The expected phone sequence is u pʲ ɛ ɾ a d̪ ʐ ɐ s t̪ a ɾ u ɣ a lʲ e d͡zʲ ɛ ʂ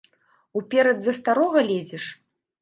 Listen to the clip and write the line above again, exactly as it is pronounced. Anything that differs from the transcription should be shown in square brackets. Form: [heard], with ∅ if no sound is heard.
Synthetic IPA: u pʲ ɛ ɾ [ɐ] d̪ [z] ɐ s t̪ a ɾ [ɔ] ɣ [ɐ] lʲ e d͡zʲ ɛ ʂ